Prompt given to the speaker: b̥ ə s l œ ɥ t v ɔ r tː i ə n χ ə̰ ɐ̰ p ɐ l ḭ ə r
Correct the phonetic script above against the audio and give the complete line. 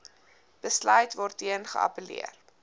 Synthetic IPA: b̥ ə s l œ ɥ t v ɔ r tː i ə n χ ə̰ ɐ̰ p ə l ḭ ə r